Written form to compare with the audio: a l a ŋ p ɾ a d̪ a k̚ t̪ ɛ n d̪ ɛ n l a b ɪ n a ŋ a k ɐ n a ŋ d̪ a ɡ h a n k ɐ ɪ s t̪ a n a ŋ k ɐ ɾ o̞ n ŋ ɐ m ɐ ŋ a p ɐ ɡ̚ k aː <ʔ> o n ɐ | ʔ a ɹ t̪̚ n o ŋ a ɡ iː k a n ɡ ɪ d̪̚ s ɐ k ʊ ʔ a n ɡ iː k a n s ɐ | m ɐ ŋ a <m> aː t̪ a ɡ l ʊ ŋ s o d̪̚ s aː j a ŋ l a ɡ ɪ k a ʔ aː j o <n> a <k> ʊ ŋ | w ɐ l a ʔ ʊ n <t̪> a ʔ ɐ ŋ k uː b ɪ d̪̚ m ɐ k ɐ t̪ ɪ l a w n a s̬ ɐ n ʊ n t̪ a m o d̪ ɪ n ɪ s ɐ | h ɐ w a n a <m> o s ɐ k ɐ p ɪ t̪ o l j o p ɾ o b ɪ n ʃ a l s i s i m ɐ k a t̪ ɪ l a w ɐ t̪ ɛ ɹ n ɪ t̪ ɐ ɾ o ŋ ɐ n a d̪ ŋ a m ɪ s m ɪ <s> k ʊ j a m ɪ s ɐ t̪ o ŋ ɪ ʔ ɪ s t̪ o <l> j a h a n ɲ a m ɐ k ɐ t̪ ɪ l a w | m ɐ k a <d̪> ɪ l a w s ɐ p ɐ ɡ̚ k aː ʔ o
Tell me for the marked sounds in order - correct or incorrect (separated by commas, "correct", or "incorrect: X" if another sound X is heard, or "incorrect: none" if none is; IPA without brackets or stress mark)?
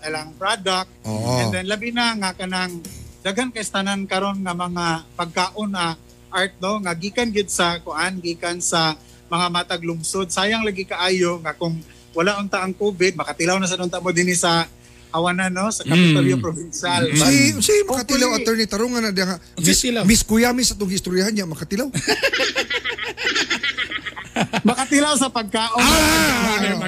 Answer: correct, correct, incorrect: ŋ, correct, correct, incorrect: n, correct, incorrect: ɾ, incorrect: t̪